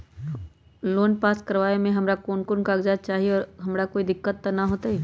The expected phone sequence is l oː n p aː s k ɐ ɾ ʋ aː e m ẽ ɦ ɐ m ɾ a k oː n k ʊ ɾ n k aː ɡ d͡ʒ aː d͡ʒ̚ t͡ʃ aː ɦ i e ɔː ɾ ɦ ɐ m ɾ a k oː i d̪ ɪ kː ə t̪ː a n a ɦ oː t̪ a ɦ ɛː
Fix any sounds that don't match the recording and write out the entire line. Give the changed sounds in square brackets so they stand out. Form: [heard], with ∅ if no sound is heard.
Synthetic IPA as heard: l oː n p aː s k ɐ ɾ ʋ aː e m ẽ ɦ ɐ m ɾ a k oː n k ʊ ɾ n k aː ɡ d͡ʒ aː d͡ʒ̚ t͡ʃ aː ɦ i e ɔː ɾ ɦ ɐ m ɾ a k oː i d̪ ɪ kː ə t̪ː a n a ɦ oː t̪ a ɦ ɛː